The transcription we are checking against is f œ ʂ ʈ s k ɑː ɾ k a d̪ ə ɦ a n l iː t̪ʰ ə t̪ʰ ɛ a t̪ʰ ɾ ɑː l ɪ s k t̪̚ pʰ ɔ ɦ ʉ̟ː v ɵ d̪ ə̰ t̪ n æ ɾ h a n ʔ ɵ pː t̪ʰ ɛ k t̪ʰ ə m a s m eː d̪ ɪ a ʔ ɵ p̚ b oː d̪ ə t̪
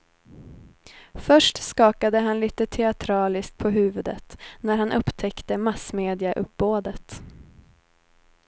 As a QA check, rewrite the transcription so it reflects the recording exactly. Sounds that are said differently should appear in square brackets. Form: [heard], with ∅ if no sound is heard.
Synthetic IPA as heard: f œ ʂ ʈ s k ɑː [∅] k a d̪ ə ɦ a n l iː [t̪] ə t̪ʰ ɛ a t̪ʰ ɾ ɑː l ɪ s k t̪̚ pʰ ɔ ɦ ʉ̟ː v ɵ d̪ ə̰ t̪ n æ ɾ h a n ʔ ɵ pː t̪ʰ ɛ k [t̪] ə m a s m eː d̪ ɪ a ʔ ɵ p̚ b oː d̪ ə t̪